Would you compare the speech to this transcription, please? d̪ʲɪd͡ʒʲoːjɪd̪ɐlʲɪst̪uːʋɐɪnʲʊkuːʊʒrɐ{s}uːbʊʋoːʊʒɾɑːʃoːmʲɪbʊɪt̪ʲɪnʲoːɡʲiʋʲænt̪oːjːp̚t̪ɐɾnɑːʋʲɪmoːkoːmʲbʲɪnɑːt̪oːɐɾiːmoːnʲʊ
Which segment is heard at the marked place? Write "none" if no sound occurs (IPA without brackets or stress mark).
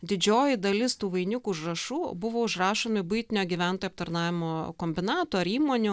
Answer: ʃ